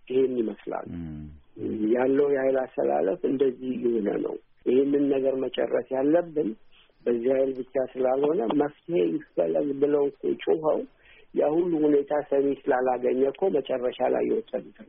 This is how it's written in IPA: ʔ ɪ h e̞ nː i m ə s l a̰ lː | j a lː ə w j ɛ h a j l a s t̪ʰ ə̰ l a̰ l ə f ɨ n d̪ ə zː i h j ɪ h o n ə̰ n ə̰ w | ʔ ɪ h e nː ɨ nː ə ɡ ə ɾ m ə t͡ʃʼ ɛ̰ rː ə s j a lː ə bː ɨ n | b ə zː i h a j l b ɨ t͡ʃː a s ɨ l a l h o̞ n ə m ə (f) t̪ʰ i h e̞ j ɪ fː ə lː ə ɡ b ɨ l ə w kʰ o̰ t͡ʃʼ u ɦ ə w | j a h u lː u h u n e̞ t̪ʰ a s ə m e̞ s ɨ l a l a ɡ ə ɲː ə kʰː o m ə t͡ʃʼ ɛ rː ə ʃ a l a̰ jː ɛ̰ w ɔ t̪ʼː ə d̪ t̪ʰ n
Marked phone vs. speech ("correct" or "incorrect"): correct